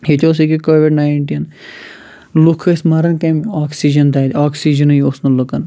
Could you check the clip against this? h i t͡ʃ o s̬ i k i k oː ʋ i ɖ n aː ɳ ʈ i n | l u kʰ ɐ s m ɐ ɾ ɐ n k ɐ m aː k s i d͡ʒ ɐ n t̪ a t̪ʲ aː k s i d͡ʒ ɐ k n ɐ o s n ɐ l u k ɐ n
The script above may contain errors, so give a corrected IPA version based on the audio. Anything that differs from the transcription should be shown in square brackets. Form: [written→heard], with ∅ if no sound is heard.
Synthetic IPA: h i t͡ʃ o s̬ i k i k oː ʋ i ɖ n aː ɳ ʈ i n | l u kʰ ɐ s m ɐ ɾ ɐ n k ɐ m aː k s i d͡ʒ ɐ n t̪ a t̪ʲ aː k s i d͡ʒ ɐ [k→∅] n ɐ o s n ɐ l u k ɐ n